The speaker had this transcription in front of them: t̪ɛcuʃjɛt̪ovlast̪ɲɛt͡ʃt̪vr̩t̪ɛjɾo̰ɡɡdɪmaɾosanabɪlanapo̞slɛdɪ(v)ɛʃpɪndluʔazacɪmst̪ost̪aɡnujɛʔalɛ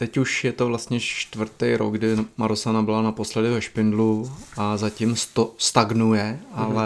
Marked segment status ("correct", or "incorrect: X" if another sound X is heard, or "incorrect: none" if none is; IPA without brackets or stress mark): correct